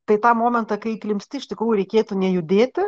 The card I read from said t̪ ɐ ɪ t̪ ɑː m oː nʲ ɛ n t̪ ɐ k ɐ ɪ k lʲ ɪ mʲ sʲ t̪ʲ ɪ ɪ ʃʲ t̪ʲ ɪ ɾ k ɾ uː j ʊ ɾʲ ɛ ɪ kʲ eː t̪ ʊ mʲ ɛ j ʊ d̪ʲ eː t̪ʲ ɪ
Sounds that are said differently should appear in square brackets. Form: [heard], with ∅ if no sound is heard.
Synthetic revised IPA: t̪ ɐ ɪ t̪ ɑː m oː [mʲ] ɛ n t̪ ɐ k ɐ ɪ k lʲ ɪ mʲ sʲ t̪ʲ ɪ ɪ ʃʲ t̪ʲ ɪ [∅] k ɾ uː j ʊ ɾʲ ɛ ɪ kʲ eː t̪ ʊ [nʲ] ɛ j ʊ d̪ʲ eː t̪ʲ ɪ